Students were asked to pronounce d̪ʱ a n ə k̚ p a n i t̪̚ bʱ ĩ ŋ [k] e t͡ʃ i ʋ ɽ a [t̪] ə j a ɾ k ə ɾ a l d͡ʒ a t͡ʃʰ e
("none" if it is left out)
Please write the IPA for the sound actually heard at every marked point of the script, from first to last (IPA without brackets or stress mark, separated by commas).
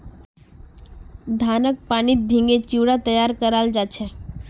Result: ɡ, t̪